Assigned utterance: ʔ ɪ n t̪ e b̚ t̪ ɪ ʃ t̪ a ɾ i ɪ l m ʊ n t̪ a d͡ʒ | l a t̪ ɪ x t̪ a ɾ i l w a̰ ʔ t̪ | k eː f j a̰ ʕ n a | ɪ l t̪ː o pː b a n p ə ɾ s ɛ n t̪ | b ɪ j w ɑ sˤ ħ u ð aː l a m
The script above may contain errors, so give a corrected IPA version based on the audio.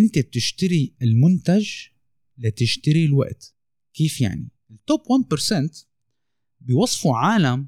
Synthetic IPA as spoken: ʔ ɪ n t̪ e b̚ t̪ ɪ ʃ t̪ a ɾ i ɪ l m ʊ n t̪ a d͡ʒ | l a t̪ ɪ ʃ t̪ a ɾ i l w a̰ ʔ t̪ | k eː f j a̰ ʕ n i | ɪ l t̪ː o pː w a n p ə ɾ s ɛ n t̪ | b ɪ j w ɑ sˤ f u ʕ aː l a m